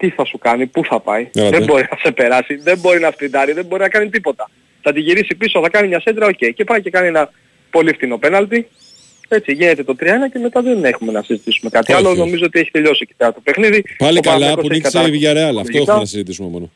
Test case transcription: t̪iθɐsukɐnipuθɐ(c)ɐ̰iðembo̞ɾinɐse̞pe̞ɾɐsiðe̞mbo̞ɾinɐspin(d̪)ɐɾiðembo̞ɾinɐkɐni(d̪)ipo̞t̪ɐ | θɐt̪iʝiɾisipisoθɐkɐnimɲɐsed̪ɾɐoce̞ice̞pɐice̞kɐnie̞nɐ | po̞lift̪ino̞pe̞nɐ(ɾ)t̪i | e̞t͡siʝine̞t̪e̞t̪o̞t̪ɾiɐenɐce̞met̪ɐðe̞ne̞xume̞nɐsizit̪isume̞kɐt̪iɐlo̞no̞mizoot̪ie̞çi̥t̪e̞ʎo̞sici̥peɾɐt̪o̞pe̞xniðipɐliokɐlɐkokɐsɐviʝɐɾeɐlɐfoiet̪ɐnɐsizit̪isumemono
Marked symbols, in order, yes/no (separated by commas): no, yes, no, no